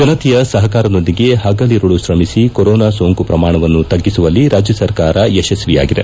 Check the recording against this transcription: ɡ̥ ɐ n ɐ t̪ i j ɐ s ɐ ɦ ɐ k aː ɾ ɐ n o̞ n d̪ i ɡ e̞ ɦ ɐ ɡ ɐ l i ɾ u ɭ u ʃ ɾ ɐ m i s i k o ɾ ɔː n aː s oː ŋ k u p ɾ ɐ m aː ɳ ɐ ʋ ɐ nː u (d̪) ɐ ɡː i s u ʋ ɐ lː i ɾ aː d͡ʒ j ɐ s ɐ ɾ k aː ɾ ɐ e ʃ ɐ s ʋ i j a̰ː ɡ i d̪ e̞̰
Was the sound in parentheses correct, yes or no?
no